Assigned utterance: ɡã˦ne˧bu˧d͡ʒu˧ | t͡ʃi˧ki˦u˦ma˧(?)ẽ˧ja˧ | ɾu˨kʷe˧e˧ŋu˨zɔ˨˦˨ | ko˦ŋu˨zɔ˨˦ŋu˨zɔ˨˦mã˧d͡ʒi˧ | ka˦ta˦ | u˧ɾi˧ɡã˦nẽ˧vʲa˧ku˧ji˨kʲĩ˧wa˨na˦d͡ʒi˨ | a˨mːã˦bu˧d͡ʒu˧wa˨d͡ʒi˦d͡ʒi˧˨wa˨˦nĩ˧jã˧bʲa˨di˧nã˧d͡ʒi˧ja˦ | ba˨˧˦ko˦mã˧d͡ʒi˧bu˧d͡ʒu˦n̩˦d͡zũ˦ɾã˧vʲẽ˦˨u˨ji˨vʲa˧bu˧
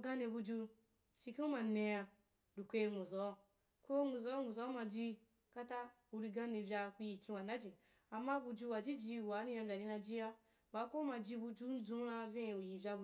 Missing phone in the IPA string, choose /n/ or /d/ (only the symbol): n